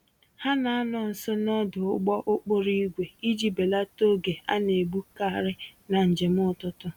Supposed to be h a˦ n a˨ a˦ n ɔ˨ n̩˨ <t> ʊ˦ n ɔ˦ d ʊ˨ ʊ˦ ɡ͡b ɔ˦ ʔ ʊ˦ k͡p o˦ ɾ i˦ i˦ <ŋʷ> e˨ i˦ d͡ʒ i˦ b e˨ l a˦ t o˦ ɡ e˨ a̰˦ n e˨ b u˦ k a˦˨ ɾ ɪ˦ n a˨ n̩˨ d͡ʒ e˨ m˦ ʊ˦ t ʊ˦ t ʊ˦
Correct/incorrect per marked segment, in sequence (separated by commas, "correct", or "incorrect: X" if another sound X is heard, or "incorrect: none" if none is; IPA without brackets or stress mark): incorrect: s, incorrect: ɡʷ